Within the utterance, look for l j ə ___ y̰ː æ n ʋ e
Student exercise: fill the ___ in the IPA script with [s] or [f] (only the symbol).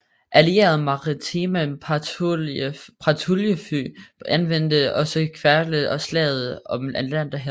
f